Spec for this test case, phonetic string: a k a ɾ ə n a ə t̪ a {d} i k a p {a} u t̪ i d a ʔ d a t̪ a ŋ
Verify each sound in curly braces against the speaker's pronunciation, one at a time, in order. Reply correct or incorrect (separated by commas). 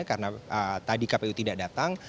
correct, incorrect